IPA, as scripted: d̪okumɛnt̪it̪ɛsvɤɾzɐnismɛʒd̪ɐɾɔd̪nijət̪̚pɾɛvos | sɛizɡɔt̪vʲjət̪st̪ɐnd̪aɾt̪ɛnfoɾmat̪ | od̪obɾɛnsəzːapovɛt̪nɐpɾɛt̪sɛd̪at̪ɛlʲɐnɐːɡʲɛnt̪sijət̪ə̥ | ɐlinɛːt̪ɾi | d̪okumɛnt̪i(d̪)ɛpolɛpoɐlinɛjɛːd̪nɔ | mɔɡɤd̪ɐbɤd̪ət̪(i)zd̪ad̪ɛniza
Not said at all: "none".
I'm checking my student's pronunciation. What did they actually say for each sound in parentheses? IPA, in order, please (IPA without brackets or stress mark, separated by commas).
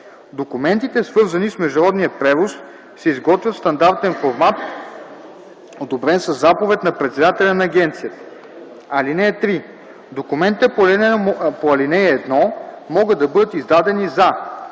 t̪, i